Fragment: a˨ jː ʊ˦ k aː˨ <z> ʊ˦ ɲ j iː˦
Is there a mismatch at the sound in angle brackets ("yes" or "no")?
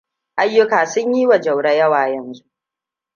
yes